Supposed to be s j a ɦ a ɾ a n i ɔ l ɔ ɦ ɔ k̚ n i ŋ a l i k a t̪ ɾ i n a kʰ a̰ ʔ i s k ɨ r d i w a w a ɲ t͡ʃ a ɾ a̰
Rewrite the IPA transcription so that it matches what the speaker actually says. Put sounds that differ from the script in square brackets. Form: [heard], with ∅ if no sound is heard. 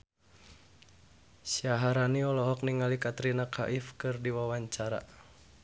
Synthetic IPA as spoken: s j a ɦ a ɾ a n i ɔ l ɔ ɦ ɔ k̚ n i ŋ a l i k a t̪ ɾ i n a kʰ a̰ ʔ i [f] k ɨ r d i w a w a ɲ t͡ʃ a ɾ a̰